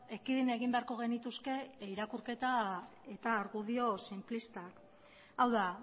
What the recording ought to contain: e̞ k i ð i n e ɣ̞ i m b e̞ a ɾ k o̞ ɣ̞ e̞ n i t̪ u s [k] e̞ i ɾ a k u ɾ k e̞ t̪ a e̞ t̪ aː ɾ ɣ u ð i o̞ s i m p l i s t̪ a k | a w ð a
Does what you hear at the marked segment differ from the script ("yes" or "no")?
no